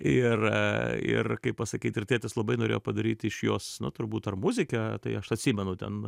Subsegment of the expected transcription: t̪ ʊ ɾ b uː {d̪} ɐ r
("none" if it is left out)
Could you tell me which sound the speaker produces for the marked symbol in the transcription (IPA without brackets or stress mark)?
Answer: t̪